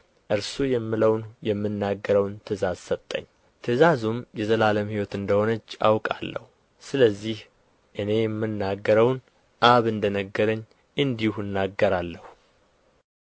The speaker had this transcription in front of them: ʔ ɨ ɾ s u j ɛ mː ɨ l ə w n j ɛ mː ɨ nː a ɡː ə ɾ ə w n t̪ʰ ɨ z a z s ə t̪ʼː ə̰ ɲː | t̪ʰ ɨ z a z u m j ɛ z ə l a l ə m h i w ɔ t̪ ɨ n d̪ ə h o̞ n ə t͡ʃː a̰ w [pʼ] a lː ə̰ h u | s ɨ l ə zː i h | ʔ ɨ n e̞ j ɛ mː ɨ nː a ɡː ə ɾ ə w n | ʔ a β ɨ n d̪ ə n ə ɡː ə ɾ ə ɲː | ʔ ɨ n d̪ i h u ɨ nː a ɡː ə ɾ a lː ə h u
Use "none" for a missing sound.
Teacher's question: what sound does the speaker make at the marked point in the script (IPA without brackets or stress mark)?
kʼ